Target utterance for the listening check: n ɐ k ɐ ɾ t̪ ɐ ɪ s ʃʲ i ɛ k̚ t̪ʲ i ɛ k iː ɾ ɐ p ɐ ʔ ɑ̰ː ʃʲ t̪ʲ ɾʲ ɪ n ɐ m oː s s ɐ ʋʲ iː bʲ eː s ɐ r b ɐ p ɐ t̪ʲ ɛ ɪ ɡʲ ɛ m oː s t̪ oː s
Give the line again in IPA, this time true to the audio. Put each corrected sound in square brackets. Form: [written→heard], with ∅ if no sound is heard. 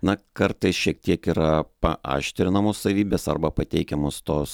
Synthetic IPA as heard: n ɐ k ɐ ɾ t̪ ɐ ɪ s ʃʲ i ɛ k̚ t̪ʲ i ɛ k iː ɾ ɐ p ɐ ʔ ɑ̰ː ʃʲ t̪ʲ ɾʲ ɪ n ɐ m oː s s ɐ ʋʲ iː bʲ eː s ɐ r b ɐ p ɐ t̪ʲ ɛ ɪ [ɡʲ→kʲ] ɛ m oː s t̪ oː s